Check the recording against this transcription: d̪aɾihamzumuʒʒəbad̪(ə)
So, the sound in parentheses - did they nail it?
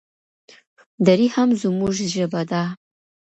no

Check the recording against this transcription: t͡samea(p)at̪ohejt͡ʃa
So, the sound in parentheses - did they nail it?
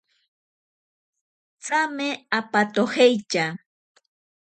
yes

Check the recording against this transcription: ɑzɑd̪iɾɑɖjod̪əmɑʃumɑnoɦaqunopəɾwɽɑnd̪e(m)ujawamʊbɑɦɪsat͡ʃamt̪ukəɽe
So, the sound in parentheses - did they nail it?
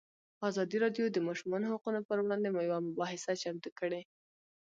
yes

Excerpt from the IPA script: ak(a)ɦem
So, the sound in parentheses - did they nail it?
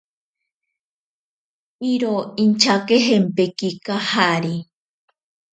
no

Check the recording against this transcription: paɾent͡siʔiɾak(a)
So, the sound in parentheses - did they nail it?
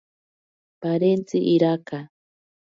yes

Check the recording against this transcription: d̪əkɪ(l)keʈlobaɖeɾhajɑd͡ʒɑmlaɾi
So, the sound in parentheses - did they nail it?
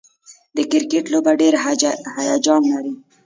no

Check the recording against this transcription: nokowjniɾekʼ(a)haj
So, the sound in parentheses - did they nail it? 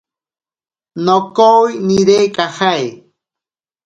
yes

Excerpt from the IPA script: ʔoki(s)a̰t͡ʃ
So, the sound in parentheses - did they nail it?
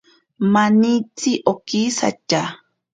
yes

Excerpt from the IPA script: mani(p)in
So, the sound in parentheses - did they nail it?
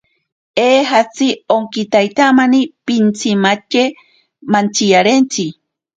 yes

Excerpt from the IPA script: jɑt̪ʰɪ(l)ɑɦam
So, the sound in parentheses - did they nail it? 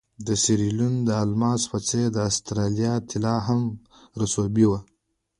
yes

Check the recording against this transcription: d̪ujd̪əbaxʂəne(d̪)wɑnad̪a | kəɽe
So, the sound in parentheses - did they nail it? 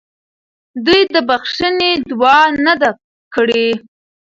yes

